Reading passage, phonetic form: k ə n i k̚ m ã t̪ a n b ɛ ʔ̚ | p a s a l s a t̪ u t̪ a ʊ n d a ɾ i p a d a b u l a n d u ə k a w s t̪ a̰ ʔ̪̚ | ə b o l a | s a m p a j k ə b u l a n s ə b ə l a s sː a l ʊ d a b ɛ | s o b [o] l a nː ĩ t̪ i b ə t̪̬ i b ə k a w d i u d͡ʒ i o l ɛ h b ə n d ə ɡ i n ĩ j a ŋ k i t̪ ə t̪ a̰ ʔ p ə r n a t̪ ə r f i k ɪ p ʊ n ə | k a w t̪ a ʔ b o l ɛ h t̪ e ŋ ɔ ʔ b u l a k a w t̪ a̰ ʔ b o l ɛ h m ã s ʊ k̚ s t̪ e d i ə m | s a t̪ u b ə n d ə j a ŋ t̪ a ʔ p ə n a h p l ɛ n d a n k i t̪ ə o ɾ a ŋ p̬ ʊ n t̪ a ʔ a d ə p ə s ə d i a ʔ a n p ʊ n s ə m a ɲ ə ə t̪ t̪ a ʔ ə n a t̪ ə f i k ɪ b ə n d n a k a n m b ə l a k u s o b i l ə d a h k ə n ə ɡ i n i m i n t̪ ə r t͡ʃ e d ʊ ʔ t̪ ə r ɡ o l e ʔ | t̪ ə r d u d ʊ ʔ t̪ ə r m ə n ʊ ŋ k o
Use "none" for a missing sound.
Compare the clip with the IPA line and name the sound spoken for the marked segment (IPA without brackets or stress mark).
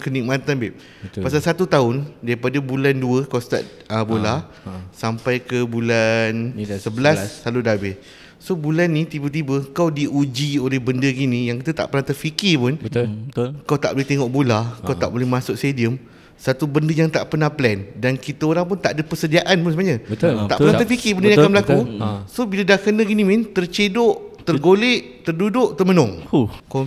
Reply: u